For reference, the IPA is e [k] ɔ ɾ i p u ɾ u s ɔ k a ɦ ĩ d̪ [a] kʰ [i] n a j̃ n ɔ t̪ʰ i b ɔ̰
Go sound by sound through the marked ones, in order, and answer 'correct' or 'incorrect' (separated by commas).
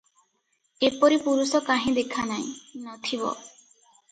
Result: incorrect, incorrect, incorrect